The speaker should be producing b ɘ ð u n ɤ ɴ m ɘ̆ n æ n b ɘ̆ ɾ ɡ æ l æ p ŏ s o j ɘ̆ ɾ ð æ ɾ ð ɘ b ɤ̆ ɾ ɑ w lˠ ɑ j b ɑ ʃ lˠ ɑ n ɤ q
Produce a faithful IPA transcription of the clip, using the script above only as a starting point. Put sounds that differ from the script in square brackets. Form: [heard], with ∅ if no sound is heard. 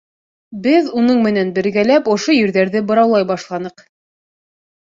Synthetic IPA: b ɘ ð u n ɤ ɴ m ɘ̆ n æ n b ɘ̆ ɾ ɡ æ l æ p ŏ [ʃ] o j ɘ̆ ɾ ð æ ɾ ð ɘ b ɤ̆ ɾ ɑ w lˠ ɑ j b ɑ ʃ lˠ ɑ n ɤ q